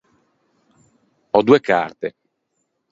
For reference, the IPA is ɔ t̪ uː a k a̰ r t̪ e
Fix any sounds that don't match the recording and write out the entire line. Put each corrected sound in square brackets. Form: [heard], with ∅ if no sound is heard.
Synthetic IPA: ɔ [d̪] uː [e] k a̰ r t̪ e